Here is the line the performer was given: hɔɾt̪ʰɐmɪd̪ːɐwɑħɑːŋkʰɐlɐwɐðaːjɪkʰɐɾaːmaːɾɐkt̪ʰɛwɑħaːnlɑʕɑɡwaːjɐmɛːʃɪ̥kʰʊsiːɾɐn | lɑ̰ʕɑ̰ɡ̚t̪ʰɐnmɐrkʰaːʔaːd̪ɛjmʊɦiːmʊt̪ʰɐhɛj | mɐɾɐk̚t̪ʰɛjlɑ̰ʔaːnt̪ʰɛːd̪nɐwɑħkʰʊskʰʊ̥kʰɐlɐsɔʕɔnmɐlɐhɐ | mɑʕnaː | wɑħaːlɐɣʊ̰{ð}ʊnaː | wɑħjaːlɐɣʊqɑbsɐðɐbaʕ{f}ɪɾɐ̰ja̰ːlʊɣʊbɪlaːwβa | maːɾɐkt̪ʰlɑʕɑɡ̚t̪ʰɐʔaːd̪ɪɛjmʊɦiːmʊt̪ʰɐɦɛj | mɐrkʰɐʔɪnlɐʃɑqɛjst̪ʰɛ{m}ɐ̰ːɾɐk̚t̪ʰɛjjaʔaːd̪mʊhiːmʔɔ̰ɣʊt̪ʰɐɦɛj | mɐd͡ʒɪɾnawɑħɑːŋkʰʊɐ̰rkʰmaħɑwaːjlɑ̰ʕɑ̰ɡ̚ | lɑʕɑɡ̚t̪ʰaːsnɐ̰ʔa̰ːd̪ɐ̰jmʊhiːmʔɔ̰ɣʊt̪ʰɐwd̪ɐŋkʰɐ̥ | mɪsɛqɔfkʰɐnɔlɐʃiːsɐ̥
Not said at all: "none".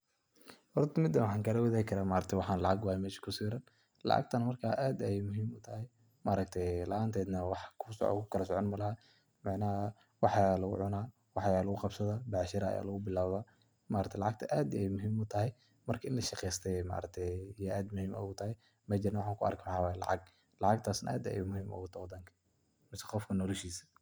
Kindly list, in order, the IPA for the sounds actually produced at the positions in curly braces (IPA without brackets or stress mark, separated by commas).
ʕ, ʃ, m